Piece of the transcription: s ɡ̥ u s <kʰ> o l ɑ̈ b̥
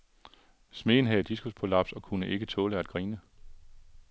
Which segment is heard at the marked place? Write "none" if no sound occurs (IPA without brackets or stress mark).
pʰ